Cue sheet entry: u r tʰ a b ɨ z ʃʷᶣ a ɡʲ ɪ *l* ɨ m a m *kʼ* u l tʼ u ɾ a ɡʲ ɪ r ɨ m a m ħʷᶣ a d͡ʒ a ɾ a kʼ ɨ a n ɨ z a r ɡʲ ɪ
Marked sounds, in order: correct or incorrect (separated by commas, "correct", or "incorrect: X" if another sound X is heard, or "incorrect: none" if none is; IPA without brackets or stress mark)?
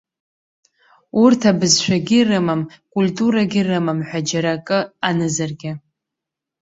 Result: incorrect: r, correct